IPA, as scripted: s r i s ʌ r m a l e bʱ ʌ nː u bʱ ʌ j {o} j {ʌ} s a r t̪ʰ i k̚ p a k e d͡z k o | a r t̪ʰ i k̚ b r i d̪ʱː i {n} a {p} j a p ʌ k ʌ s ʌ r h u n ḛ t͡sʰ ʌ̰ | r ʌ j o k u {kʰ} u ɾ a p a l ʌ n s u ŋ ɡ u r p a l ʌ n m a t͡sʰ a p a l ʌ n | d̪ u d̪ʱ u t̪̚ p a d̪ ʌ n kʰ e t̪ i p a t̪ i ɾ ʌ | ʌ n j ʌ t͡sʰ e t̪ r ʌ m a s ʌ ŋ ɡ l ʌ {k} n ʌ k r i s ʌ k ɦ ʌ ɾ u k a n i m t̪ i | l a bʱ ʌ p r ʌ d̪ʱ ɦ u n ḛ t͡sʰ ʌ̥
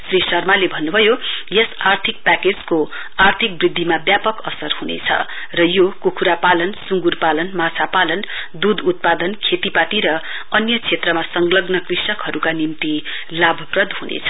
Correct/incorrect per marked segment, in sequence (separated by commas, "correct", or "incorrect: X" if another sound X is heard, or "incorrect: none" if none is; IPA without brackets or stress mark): correct, correct, incorrect: m, incorrect: b, correct, incorrect: ɡ